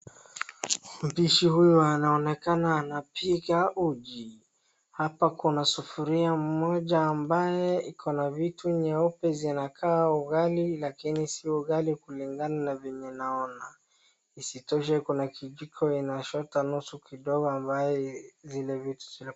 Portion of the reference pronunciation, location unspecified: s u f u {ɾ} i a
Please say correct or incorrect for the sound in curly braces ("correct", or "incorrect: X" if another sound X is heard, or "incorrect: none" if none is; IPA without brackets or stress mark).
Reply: correct